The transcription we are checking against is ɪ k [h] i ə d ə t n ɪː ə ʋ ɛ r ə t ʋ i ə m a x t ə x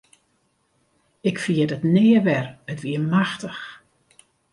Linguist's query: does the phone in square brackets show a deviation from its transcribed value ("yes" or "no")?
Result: yes